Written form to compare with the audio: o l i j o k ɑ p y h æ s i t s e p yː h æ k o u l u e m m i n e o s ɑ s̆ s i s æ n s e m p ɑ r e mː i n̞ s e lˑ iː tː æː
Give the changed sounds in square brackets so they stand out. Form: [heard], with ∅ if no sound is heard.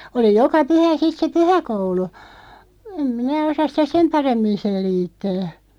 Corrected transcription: o l i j o k ɑ p y h æ s i t s e p [y] h æ k o u l u e m m i n [æ] o s ɑ s̆ s i [t] æ [∅] s e m p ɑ r e mː i n̞ s e lˑ iː tː æː

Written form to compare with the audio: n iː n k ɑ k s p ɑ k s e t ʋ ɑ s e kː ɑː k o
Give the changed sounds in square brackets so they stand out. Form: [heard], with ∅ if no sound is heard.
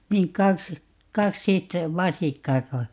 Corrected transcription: n iː n k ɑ k s [k] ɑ k s [i] t ʋ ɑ s [i] kː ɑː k o

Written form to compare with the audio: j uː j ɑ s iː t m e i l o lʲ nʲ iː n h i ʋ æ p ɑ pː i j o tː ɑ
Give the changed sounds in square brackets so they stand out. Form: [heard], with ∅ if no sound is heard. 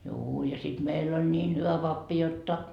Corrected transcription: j uː j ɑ s [i] t m e i [lː] o lʲ nʲ iː n h [y] ʋ æ p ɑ pː i j o tː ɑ

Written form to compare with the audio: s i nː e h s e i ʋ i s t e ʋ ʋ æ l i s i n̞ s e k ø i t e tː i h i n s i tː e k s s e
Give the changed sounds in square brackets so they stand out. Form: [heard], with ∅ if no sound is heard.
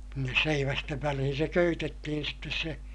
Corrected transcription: s i nː e [s] s e i ʋ [æ] s t e ʋ ʋ æ l i [h] i n̞ s e k ø [y] t e tː i h i n s i tː e [∅] s s e

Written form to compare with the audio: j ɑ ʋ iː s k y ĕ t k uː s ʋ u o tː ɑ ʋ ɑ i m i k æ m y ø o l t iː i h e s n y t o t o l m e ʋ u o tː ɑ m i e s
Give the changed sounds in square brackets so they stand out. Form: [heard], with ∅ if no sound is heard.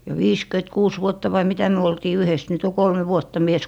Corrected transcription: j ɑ ʋ iː s k y ĕ t k uː s ʋ u o tː ɑ ʋ ɑ i m i [t] æ m y ø o l t iː [y] h e s n y t o [k] o l m e ʋ u o tː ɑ m i e s

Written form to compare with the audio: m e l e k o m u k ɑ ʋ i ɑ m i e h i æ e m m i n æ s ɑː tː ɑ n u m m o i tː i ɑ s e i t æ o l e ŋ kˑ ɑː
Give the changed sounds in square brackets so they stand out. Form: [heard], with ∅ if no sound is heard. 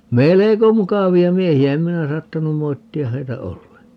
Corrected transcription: m e l e k o m u k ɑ ʋ i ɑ m i e h i æ e m m i n æ s ɑː tː ɑ n u m m o i tː i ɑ [h] e i t æ o [lː] e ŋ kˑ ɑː

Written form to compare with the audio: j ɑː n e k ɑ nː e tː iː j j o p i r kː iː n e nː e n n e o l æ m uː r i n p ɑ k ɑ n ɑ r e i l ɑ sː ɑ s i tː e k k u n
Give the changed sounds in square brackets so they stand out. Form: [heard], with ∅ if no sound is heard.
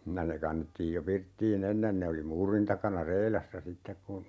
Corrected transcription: j [ɑ] n e k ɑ nː e tː iː j j o p i r [tː] iː n e nː e n n e o l [i] m uː r i n [t] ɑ k ɑ n ɑ r e i l ɑ sː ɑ s i tː e k k u n

